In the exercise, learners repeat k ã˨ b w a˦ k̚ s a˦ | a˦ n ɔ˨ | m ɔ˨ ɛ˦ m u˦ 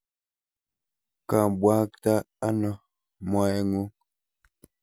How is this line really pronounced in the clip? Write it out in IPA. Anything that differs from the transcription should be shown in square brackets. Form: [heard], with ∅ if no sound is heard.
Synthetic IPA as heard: k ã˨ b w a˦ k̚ [t] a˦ | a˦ n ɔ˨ | m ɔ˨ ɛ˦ [ŋ] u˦